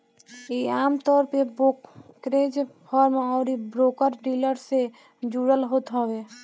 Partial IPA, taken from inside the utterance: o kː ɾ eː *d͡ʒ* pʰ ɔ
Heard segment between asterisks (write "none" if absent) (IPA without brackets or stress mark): d͡ʒ